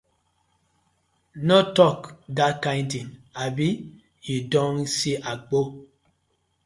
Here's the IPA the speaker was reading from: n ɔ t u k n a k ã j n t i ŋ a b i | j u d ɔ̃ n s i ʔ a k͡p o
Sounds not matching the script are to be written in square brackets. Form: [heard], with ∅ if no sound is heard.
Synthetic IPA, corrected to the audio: n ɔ t [ɔ] k [d] a k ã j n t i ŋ a b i | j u d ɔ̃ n s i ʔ a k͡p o